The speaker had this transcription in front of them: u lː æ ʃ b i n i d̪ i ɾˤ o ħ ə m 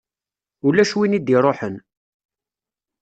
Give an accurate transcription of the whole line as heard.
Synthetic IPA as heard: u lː æ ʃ w i n i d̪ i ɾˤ o ħ ə n